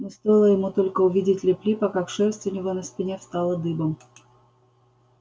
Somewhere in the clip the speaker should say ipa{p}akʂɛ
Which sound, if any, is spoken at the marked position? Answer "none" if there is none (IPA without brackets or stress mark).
k